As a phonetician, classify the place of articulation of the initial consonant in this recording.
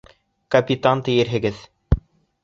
velar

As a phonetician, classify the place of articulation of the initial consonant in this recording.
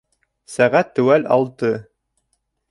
alveolar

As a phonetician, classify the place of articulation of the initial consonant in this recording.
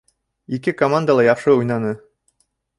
velar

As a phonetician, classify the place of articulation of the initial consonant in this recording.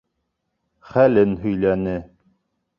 uvular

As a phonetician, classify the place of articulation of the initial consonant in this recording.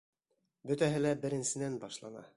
labial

